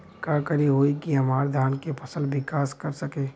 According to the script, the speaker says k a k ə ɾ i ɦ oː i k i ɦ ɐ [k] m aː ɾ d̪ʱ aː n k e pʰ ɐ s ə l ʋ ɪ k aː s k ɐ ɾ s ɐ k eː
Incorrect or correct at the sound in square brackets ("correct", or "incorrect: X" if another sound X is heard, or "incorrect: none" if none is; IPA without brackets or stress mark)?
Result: incorrect: none